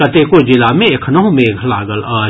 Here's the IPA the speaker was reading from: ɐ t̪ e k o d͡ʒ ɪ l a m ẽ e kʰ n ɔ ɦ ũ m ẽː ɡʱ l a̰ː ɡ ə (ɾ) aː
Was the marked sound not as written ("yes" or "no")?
yes